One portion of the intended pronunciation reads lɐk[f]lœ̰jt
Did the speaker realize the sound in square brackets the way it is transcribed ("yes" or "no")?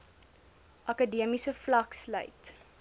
no